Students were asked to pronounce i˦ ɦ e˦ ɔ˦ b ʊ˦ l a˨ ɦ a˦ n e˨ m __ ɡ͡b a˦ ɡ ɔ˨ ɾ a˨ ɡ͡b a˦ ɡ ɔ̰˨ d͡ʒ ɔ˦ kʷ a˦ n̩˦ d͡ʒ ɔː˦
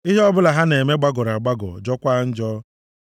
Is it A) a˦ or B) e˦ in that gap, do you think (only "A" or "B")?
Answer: B